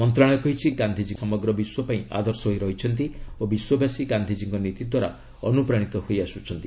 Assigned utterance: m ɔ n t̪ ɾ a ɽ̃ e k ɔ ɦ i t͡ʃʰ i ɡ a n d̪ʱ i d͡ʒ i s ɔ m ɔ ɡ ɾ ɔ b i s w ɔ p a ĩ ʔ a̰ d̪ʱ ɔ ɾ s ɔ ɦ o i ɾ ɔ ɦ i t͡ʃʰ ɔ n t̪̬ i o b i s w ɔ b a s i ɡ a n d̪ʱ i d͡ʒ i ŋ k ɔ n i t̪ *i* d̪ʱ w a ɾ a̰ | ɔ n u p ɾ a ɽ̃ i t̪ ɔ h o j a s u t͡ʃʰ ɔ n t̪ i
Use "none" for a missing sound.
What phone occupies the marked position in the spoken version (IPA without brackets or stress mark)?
i